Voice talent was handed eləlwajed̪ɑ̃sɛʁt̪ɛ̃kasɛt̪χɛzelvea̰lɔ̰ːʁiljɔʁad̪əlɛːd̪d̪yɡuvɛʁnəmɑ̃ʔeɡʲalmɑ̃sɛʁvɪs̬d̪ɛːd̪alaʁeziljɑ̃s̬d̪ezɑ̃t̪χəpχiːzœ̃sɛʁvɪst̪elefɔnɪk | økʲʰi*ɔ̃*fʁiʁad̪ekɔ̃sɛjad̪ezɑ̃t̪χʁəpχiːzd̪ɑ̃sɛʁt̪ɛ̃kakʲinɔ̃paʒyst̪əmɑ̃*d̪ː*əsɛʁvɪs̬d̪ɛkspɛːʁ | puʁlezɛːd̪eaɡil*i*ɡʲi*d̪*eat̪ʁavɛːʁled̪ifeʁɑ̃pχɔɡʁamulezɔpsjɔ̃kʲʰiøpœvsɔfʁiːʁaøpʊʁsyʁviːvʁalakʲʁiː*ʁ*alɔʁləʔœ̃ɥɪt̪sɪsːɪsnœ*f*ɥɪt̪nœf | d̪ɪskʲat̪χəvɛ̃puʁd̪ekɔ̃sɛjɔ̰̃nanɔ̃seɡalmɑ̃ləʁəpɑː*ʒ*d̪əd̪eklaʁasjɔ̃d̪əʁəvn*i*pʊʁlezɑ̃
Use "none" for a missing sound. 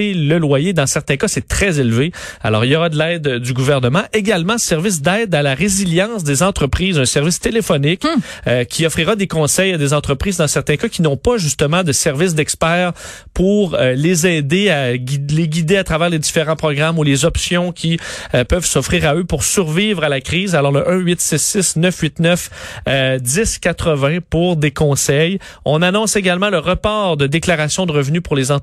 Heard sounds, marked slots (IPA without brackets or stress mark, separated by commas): ɔ, d̪, e, d̪, z, f, ʁ, y